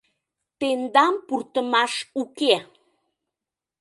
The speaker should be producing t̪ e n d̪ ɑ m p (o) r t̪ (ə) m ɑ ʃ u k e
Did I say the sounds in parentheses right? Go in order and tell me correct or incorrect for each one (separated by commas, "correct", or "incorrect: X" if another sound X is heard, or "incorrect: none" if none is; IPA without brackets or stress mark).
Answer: incorrect: u, correct